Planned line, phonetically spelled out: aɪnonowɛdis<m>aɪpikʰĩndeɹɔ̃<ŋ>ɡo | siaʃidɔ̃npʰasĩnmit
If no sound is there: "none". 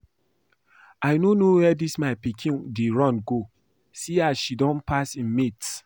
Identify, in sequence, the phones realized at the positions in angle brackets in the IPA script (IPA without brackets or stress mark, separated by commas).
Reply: m, n